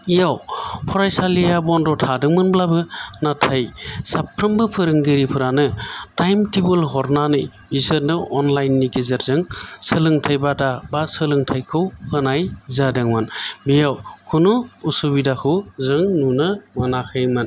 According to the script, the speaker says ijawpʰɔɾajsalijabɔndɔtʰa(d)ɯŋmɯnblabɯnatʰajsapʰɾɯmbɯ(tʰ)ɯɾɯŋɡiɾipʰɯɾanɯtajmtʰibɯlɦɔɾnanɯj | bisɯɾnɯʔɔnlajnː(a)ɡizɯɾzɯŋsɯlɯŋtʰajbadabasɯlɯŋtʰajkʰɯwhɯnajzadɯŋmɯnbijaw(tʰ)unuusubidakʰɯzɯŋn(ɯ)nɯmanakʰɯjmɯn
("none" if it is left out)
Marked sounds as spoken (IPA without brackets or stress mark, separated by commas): d, pʰ, i, kʰ, u